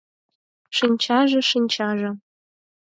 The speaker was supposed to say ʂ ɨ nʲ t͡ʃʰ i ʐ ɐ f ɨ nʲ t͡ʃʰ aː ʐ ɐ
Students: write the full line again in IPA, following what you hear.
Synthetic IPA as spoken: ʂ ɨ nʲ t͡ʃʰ a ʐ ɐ ʂ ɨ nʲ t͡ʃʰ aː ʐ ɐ